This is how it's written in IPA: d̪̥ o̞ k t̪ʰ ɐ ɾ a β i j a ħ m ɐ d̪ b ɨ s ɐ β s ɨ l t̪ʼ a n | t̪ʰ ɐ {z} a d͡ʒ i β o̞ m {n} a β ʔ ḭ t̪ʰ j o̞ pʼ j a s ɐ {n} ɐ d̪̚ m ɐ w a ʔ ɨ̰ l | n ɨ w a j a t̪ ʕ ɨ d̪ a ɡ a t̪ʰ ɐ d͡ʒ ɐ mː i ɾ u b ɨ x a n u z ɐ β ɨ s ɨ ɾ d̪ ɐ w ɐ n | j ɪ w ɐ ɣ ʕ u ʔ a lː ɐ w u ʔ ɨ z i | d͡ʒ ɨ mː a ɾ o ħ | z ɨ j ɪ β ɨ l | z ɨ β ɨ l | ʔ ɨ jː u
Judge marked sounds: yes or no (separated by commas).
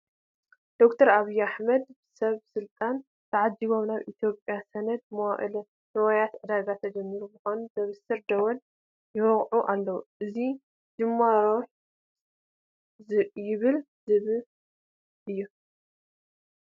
no, yes, yes